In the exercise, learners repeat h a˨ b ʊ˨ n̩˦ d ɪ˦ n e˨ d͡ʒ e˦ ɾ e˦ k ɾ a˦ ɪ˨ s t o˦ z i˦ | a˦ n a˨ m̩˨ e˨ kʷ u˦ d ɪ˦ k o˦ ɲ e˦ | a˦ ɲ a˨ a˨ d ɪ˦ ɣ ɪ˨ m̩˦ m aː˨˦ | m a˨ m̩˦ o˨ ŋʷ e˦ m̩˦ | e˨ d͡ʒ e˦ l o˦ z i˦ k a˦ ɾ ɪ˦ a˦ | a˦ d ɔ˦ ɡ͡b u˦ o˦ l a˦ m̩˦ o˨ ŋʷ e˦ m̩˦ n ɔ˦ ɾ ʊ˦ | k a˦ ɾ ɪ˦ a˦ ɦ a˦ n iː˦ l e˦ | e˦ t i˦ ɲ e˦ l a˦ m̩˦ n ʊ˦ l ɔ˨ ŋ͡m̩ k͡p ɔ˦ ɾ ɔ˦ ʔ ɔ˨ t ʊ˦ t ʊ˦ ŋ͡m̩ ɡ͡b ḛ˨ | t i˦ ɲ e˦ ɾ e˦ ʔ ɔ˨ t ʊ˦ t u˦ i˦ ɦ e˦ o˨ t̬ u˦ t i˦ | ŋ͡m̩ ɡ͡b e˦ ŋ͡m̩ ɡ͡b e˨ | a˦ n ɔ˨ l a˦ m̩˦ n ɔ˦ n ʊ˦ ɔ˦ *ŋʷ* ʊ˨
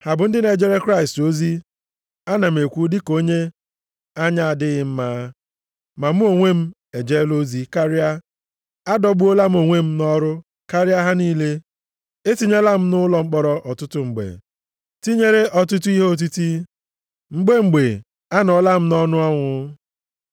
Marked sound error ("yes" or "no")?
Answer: no